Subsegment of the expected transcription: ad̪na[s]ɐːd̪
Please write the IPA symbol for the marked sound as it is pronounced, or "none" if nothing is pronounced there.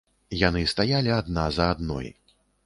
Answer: z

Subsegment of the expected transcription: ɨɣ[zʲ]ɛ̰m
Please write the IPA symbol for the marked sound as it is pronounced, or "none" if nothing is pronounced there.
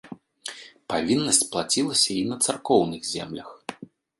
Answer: zʲ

